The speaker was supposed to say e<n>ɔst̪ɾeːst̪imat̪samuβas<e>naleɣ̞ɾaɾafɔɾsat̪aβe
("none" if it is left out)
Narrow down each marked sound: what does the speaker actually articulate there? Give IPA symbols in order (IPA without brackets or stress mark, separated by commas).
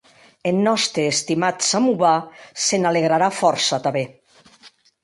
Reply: nː, e